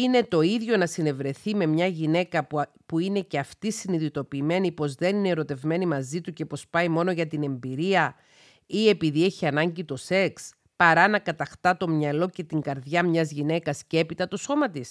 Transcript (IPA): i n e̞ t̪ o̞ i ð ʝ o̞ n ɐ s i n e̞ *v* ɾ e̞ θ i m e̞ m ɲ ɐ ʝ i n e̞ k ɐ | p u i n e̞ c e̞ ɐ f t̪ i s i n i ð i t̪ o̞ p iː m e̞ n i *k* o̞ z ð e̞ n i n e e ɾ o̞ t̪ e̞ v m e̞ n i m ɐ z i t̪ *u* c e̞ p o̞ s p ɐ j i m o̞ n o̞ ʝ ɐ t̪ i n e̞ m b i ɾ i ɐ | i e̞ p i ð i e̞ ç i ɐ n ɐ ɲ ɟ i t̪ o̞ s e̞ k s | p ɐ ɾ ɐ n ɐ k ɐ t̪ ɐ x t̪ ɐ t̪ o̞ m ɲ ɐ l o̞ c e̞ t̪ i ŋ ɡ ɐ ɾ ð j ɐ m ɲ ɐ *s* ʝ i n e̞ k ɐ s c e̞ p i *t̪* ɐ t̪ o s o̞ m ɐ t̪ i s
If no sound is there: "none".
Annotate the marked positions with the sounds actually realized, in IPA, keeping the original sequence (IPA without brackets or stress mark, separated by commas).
v, p, u, z, t̪